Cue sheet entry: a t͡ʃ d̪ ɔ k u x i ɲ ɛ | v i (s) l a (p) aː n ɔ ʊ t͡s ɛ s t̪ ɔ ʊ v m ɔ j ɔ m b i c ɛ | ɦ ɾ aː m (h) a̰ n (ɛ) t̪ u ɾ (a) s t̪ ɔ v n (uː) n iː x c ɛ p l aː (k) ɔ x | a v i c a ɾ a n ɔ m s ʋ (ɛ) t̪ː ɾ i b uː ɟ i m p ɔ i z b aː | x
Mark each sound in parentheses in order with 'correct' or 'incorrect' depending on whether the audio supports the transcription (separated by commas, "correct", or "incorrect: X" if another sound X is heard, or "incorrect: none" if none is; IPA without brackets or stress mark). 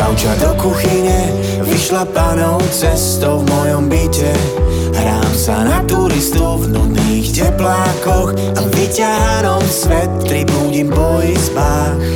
incorrect: ʃ, correct, incorrect: s, incorrect: a, incorrect: i, incorrect: u, correct, correct